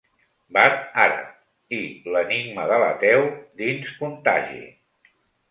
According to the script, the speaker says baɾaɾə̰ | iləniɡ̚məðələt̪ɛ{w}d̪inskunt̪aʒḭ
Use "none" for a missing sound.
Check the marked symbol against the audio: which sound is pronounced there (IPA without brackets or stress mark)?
w